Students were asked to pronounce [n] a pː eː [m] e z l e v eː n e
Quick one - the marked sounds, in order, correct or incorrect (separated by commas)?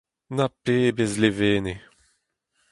correct, incorrect